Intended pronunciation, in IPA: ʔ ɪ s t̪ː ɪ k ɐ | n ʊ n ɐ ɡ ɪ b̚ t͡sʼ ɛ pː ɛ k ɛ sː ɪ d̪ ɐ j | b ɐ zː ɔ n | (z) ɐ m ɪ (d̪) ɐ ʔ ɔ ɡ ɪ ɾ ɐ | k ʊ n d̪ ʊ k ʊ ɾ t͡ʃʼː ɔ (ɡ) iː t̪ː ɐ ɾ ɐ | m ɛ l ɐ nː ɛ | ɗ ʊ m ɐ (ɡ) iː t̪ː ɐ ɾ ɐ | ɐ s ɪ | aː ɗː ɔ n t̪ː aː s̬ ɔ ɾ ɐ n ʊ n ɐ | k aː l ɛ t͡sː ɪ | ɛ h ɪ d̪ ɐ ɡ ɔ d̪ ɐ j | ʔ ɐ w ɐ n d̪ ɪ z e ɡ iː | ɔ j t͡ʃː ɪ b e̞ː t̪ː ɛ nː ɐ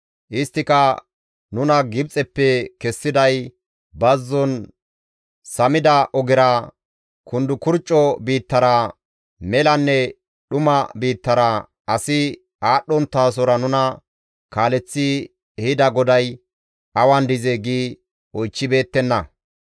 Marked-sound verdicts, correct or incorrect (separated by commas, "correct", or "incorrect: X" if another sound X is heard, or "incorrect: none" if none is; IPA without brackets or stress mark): incorrect: s, correct, incorrect: b, incorrect: b